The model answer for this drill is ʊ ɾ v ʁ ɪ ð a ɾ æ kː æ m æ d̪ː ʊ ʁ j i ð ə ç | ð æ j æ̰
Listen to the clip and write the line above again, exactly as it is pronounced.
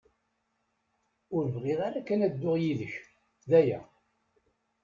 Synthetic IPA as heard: ʊ ɾ v ʁ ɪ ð a ɾ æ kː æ n æ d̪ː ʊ ʁ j i ð ə ç | ð æ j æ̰